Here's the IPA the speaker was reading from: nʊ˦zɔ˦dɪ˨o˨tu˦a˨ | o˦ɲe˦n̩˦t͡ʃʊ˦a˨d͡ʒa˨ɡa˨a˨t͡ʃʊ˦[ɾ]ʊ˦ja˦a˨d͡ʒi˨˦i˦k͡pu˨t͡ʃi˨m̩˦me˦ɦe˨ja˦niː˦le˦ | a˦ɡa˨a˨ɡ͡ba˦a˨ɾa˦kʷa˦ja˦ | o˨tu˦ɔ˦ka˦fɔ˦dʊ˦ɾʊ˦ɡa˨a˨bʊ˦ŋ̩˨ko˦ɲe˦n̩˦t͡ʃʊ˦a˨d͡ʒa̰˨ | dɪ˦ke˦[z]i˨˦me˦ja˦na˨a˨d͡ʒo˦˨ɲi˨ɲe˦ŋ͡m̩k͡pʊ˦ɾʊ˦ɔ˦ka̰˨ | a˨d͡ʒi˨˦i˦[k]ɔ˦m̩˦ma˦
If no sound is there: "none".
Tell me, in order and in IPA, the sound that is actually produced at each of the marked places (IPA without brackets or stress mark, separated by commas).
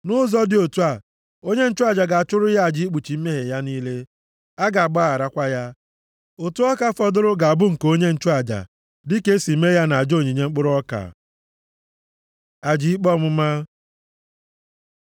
ɾ, s, k͡p